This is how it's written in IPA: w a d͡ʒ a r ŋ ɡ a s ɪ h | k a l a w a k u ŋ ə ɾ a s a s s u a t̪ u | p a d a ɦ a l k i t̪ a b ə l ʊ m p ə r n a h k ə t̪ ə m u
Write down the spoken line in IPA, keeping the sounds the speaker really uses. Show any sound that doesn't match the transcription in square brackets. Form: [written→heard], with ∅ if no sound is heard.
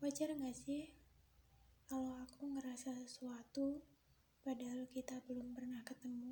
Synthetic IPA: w a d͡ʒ a r ŋ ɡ a s ɪ h | k a l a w a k u ŋ ə ɾ a s a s s u a t̪ u | p a d a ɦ a l k i t̪ a b ə l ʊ m p ə r n a h k ə t̪ ə m u